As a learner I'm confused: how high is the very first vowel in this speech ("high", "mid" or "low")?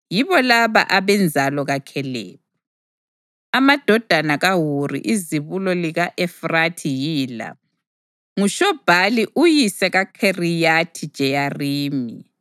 high